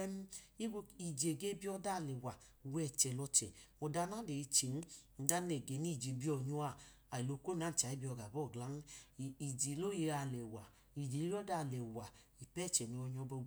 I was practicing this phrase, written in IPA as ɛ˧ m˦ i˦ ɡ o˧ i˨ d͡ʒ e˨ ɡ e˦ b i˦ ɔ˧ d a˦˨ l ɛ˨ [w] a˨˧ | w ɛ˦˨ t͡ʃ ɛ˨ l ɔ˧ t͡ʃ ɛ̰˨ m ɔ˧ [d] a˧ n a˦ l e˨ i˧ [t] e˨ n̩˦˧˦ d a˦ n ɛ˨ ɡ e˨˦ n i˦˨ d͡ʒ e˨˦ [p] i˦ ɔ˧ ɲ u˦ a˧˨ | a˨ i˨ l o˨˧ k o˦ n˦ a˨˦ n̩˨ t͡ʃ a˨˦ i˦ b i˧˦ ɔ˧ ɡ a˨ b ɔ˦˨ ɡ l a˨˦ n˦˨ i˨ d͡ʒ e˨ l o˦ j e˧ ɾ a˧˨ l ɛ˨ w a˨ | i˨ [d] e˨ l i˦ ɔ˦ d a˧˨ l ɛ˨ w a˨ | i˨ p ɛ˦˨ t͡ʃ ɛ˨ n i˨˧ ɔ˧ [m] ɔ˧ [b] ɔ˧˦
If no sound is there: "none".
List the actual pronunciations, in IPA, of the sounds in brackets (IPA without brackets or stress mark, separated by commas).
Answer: w, d, t͡ʃ, b, d͡ʒ, ɲ, b